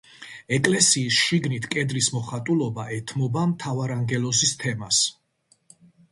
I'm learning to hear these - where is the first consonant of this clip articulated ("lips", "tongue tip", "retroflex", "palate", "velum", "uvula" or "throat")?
velum